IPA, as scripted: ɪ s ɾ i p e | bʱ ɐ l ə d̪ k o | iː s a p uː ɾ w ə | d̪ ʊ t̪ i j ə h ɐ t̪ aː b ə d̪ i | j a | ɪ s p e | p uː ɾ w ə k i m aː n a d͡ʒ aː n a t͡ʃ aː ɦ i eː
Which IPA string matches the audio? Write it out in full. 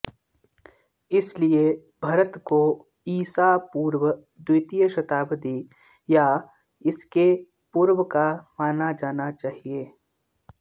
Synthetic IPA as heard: ɪ s l i e | bʱ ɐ ɾ ə t̪ k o | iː s a p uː ɾ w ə | d̪ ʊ t̪ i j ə ʃ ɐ t̪ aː b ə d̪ i | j a | ɪ s k e | p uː ɾ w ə k a m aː n a d͡ʒ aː n a t͡ʃ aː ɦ i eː